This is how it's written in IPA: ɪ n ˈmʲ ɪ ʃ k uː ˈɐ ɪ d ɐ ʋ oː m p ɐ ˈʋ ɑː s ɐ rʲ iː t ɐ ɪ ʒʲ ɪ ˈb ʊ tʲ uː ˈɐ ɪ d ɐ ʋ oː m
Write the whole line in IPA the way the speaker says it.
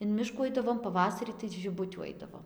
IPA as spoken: ɪ n ˈmʲ ɪ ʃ k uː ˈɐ ɪ d ɐ ʋ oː m p ɐ ˈʋ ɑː s ɐ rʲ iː t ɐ ɪ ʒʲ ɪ ˈb ʊ tʲ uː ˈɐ ɪ d ɐ ʋ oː m